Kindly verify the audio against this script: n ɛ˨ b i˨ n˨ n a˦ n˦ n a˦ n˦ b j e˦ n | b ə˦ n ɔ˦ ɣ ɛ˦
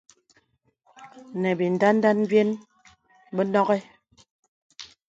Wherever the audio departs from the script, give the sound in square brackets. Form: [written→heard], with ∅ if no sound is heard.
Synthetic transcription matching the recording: n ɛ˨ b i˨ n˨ [n→d] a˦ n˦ [n→d] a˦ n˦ b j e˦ n | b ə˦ n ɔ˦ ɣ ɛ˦